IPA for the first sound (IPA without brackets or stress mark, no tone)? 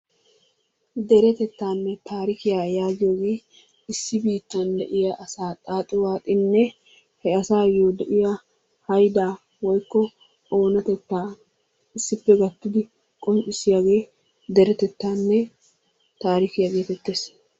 d̪